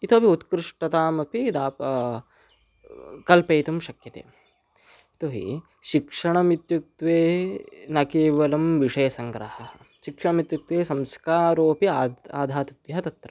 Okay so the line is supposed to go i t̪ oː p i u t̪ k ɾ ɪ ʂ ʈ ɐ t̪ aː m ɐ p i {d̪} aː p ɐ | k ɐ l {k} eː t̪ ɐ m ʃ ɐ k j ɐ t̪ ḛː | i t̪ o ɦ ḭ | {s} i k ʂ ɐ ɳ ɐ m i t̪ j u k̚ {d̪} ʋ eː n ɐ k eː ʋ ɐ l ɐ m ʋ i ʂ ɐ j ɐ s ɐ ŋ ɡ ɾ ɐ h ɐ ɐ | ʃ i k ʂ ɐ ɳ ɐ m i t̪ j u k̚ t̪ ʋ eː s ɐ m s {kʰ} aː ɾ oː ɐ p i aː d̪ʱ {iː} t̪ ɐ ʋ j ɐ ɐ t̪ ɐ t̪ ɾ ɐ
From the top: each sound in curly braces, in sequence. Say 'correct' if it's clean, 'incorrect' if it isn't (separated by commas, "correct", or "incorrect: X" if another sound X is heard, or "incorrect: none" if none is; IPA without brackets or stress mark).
correct, incorrect: p, incorrect: ʃ, incorrect: t̪, incorrect: k, incorrect: aː